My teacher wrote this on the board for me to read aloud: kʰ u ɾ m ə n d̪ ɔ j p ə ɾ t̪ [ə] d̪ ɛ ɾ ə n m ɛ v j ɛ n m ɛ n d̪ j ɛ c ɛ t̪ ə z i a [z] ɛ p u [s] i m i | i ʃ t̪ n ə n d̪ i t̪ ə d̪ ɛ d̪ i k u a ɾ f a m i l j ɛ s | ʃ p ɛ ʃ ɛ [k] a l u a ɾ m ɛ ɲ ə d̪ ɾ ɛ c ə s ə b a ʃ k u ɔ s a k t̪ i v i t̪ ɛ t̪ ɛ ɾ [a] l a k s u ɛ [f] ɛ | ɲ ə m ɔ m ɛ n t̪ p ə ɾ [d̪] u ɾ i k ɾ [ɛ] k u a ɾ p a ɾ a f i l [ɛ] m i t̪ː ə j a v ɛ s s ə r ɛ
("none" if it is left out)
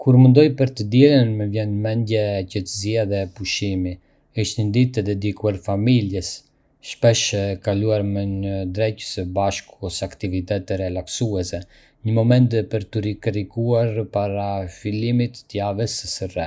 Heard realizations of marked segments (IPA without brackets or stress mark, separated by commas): ə, ð, ʃ, k, ɛ, s, t̪, i, i